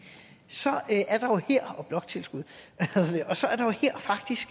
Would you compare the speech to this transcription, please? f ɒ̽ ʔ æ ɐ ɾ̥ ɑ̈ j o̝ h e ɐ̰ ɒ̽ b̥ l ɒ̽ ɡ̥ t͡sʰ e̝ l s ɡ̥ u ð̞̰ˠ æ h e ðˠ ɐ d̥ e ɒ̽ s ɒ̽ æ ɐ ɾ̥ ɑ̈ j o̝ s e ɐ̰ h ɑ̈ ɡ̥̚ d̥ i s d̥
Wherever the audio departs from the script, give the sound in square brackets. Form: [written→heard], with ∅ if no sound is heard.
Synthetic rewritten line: [f→s] ɒ̽ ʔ æ ɐ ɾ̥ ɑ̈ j o̝ h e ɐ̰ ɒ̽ b̥ l ɒ̽ ɡ̥ t͡sʰ e̝ l s ɡ̥ u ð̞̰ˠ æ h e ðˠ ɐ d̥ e ɒ̽ s ɒ̽ æ ɐ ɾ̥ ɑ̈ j o̝ [s→h] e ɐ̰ [h→f] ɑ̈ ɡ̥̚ d̥ i s [d̥→ɡ̥]